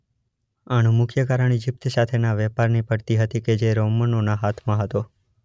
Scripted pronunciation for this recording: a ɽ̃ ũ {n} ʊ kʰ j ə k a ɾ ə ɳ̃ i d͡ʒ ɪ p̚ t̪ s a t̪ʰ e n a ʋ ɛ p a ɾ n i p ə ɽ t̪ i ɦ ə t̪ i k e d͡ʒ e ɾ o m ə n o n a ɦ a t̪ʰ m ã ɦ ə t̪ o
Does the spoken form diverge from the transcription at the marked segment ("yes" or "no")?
yes